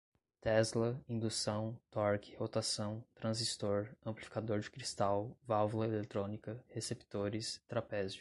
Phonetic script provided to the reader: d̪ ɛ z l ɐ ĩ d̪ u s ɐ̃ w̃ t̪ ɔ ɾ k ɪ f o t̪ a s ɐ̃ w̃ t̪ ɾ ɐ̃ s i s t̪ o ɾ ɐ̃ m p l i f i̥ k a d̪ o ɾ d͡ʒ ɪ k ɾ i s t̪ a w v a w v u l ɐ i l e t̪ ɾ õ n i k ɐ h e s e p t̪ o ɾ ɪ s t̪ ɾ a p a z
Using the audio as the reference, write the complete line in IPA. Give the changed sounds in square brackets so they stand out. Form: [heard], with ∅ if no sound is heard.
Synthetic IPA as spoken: [t̪] ɛ z l ɐ ĩ d̪ u s ɐ̃ w̃ t̪ ɔ ɾ k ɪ [h] o t̪ a s ɐ̃ w̃ t̪ ɾ ɐ̃ [z] i s t̪ o ɾ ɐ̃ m p l i f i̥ k a d̪ o ɾ d͡ʒ ɪ k ɾ i s t̪ a w v a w v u l ɐ [e] l e t̪ ɾ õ n i k ɐ h e s e p t̪ o ɾ ɪ s t̪ ɾ a p [ɛ] z